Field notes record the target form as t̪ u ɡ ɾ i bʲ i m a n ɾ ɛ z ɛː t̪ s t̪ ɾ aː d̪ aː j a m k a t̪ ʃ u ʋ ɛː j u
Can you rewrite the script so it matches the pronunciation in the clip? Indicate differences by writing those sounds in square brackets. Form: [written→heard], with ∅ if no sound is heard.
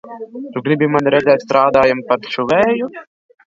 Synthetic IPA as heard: t̪ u ɡ ɾ i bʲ i m a n ɾ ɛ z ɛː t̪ s t̪ ɾ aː d̪ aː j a m [k→p] a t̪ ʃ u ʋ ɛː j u